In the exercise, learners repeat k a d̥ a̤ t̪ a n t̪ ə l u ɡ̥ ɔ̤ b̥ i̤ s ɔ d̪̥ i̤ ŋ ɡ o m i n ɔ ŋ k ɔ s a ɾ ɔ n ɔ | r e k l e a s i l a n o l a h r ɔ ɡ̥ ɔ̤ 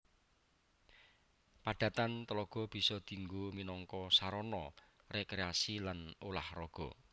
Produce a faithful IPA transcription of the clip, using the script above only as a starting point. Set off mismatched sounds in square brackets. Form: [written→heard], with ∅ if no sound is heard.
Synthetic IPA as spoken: [k→p] a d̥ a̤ t̪ a n t̪ ə l [u→ɔ] ɡ̥ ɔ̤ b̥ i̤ s ɔ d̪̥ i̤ ŋ ɡ o m i n ɔ ŋ k ɔ s a ɾ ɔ n ɔ | r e k [l→ɾ] e a s i l a n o l a h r ɔ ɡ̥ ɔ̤